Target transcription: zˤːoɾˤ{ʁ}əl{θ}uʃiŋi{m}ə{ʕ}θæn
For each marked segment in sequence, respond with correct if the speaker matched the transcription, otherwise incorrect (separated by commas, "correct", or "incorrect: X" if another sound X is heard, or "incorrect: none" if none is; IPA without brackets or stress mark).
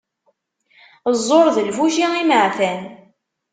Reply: incorrect: ð, incorrect: f, correct, correct